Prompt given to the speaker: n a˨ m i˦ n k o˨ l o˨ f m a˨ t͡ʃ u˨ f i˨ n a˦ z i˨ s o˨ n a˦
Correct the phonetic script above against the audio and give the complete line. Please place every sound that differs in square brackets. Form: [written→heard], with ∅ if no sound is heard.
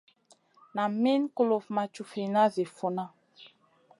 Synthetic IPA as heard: n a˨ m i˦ n k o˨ l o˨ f m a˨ t͡ʃ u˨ f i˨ n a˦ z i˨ [s→f] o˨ n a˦